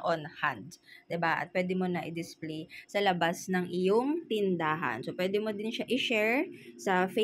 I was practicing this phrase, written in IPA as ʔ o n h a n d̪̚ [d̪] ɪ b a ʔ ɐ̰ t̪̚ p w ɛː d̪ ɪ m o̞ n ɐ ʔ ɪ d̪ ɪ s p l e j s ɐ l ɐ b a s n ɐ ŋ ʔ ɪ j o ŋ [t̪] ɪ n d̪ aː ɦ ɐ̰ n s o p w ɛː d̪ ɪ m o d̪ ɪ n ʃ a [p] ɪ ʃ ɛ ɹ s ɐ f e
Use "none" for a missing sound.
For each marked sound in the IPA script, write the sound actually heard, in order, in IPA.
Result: d̪, t̪, ʔ

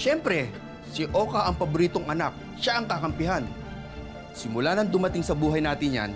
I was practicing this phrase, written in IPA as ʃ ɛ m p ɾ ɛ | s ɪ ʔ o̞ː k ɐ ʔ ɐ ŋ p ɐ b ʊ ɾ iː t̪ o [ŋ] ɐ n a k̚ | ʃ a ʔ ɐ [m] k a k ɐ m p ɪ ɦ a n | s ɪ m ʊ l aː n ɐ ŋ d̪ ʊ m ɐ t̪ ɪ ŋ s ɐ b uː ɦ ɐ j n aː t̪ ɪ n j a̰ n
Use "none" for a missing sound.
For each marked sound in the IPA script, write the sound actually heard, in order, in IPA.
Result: ŋ, ŋ

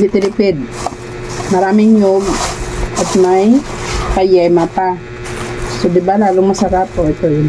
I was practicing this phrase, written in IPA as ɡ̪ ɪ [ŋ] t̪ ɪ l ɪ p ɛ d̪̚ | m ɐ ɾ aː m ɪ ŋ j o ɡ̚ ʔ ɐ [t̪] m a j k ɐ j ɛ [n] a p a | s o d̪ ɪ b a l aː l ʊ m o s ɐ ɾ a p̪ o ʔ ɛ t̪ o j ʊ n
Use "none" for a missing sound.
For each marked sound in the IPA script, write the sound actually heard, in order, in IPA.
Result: none, t̪, m

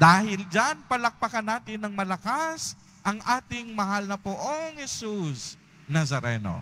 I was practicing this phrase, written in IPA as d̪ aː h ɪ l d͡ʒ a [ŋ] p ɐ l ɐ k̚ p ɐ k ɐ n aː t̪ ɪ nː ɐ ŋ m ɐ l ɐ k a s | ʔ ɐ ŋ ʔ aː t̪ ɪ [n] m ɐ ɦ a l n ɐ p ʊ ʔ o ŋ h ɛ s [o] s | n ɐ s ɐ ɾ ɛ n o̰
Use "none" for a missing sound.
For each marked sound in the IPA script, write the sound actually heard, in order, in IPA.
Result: n, ŋ, u

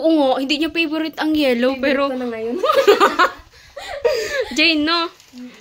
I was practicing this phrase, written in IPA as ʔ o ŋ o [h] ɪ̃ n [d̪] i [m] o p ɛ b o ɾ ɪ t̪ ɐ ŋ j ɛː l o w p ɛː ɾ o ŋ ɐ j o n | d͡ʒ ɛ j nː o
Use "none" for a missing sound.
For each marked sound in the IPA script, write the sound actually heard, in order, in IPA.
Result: h, d̪, ɲ

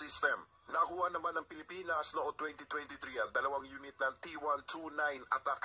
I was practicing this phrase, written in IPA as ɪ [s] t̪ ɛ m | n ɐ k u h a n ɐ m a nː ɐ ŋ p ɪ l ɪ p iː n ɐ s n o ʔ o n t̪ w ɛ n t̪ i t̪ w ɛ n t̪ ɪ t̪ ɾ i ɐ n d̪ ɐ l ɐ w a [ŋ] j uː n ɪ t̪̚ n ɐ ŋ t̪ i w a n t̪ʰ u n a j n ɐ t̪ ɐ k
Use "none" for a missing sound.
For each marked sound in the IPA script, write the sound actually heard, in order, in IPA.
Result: s, ŋ

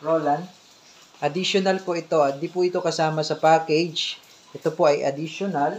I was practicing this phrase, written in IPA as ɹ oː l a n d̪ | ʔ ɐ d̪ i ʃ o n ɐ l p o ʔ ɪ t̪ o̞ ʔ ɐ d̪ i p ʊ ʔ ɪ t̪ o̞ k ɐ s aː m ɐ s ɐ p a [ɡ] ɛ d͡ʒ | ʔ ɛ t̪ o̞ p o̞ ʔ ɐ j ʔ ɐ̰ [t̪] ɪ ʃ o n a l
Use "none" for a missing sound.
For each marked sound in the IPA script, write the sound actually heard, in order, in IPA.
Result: k, d̪

